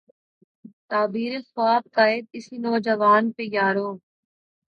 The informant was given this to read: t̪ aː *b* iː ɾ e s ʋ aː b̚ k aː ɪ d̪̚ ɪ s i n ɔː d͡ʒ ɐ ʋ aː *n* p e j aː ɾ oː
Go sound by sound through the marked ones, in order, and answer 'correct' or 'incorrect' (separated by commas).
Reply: correct, correct